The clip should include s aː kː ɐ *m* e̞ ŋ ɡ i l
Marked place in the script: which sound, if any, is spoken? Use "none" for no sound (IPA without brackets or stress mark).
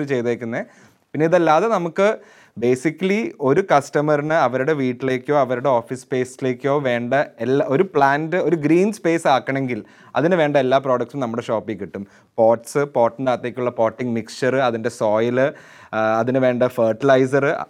ɳ